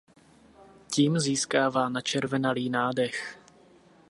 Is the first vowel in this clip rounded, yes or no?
no